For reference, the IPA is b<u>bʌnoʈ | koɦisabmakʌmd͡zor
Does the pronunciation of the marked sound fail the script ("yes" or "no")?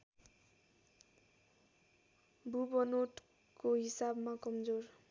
no